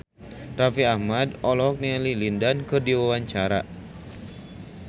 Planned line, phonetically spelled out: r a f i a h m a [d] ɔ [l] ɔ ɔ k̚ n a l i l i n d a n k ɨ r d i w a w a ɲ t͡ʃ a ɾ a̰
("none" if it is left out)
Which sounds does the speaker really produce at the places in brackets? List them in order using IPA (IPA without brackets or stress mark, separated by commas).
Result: d, l